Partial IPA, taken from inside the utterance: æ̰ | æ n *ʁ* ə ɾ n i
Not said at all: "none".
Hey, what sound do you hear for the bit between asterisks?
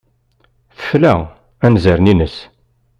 z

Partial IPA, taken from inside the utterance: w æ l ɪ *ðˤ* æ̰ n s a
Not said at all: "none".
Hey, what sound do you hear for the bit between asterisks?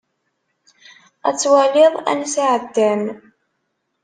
ðˤ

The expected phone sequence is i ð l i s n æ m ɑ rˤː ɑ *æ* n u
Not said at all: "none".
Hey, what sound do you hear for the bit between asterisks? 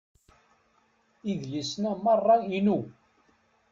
i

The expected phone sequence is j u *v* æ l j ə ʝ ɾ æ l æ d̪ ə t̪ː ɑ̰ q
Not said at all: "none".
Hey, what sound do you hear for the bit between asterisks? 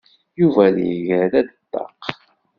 v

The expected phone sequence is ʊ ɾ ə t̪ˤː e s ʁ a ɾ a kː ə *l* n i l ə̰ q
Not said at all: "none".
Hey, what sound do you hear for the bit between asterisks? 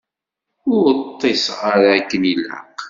none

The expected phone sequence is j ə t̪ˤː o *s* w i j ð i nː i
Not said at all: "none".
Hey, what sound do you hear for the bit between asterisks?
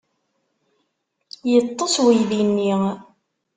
s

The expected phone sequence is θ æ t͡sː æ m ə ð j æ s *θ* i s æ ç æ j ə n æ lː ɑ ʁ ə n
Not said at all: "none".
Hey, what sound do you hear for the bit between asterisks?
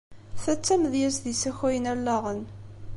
ð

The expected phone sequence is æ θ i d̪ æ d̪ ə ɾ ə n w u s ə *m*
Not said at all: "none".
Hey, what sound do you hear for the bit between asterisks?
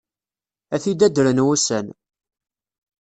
n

